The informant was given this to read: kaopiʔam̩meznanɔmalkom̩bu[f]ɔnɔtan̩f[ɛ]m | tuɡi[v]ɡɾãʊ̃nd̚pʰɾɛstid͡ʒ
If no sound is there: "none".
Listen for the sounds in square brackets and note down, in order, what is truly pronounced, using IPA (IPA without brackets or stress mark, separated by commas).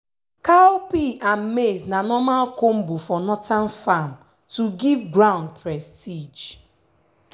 f, a, v